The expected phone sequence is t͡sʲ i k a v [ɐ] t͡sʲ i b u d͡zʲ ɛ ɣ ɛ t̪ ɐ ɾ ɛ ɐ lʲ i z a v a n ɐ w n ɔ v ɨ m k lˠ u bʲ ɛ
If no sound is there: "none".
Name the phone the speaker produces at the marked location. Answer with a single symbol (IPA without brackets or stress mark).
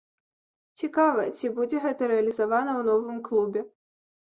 ɐ